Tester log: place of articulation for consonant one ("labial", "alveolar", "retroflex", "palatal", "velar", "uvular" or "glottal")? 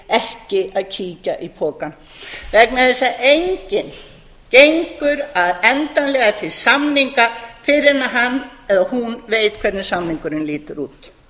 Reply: glottal